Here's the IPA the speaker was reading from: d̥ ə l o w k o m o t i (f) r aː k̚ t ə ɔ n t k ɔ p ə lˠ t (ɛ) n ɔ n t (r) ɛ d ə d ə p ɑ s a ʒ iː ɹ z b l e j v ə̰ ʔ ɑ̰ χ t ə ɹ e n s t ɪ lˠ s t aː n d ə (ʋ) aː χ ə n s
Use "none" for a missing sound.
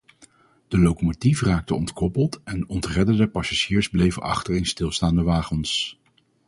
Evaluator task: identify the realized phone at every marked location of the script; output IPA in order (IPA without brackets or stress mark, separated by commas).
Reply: f, ɛ, r, ʋ